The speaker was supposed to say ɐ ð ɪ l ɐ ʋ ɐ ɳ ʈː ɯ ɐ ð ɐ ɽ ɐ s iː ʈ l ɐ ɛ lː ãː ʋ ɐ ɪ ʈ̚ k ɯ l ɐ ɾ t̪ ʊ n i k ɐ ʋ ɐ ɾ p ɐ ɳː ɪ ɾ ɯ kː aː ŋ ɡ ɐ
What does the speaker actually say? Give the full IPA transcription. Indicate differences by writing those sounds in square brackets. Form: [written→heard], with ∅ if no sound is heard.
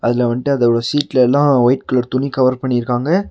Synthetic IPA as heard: ɐ ð ɪ l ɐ ʋ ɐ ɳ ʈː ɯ ɐ ð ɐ ɽ ɐ s iː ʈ l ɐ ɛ lː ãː ʋ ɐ ɪ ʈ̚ k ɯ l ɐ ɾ t̪ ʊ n i k ɐ ʋ ɐ ɾ p ɐ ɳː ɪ ɾ ɯ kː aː ŋ ɡ ɐ